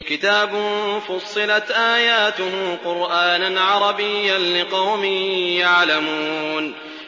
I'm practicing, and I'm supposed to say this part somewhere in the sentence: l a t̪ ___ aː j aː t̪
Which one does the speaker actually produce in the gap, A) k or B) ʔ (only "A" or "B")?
B